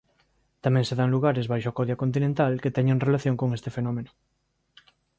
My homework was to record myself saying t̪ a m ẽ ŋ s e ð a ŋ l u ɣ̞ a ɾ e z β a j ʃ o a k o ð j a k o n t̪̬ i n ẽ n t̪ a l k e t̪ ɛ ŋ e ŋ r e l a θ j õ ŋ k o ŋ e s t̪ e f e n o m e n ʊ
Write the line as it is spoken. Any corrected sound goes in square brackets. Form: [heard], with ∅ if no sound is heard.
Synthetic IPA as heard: t̪ a m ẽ ŋ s e ð a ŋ l u ɣ̞ a ɾ e z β a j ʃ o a k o ð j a k o n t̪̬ i n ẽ n t̪ a l k e t̪ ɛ [ɲ] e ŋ r e l a θ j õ ŋ k o ŋ e s t̪ e f e n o m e n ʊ

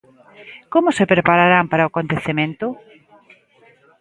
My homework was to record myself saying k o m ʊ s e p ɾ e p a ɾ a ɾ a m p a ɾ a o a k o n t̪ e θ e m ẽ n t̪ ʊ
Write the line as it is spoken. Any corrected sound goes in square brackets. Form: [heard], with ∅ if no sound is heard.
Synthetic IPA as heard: k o m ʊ s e p ɾ e p a ɾ a ɾ a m p a ɾ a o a k o n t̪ e θ e m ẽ n t̪ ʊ

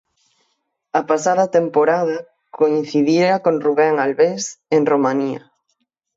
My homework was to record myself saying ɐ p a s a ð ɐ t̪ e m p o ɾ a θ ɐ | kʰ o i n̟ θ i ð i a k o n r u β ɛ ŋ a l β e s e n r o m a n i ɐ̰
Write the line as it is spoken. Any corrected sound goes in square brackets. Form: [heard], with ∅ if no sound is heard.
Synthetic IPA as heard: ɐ p a s a ð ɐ t̪ e m p o ɾ a [ð] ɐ | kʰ o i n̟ θ i ð i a k o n r u β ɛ ŋ a l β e s e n r o m a n i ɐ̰

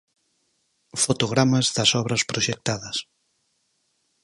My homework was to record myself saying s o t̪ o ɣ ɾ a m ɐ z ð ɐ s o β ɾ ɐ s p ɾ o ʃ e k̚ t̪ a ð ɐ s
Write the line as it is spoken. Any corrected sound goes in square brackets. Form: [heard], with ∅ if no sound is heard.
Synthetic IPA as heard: [f] o t̪ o ɣ ɾ a m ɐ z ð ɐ s [ɔ] β ɾ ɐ s p ɾ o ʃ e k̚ t̪ a ð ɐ s

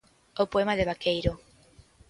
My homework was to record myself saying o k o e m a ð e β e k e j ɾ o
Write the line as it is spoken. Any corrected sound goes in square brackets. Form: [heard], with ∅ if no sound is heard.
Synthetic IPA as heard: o [p] o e m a ð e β [a] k e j ɾ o

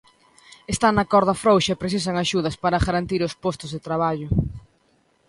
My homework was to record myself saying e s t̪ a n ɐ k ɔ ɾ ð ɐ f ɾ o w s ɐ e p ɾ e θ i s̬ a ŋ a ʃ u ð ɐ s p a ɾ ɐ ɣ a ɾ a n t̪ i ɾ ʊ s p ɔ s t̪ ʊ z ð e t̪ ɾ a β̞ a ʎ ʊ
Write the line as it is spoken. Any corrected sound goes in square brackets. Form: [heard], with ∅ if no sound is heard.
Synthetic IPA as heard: e s t̪ a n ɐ k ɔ ɾ ð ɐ f ɾ o w [ʃ] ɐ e p ɾ e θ i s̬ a ŋ a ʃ u ð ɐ s p a ɾ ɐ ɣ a ɾ a n t̪ i ɾ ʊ s p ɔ s t̪ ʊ z ð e t̪ ɾ a β̞ a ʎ ʊ

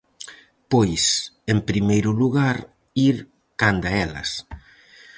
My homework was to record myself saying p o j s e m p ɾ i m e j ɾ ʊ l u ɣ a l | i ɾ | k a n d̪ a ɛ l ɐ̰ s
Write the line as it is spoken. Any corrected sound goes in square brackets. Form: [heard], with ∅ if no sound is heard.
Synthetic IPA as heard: p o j s e m p ɾ i m e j ɾ ʊ l u ɣ a [ɾ] | i ɾ | k a n d̪ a ɛ l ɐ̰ s

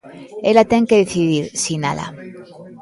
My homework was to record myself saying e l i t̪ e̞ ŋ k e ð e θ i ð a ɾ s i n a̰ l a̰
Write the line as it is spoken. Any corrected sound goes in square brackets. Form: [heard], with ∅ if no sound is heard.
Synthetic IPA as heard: e l [a] t̪ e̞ ŋ k e ð e θ i ð [i] ɾ s i n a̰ l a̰

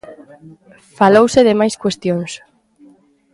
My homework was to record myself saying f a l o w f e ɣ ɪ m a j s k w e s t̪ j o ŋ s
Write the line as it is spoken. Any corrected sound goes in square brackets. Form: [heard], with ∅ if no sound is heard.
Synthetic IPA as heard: f a l o w [s] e [ð] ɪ m a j s k w e s t̪ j o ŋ s

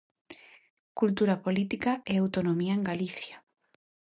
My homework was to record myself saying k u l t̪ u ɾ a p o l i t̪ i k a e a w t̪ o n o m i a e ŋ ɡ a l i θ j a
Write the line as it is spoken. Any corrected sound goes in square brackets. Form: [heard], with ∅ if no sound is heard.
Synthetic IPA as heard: k u l t̪ u ɾ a p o l i t̪ i k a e a w t̪ o n o m i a e ŋ ɡ a l i θ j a

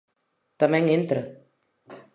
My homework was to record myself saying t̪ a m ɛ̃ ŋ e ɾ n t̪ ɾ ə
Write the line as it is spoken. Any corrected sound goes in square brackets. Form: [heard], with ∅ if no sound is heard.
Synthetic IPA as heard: t̪ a m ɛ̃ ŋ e [∅] n t̪ ɾ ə

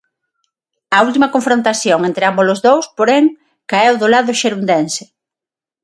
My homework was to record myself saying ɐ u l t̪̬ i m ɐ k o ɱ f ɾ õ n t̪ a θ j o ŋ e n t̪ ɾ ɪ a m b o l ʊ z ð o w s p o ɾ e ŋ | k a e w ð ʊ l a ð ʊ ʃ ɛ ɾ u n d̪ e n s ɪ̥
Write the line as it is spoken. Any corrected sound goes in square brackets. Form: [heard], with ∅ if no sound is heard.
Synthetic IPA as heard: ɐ u l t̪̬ i m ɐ k o ɱ f ɾ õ n t̪ a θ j o ŋ e n t̪ ɾ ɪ a m b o l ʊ z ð o w s p o ɾ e ŋ | k a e w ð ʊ l a ð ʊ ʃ [e] ɾ u n d̪ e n s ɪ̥

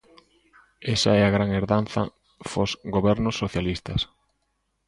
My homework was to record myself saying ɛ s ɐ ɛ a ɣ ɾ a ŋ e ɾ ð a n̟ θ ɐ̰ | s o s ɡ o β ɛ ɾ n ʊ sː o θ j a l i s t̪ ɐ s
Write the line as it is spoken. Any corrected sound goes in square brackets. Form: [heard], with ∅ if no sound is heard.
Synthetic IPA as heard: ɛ s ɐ ɛ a ɣ ɾ a ŋ e ɾ ð a n̟ θ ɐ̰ | [f] o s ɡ o β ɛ ɾ n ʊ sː o θ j a l i s t̪ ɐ s

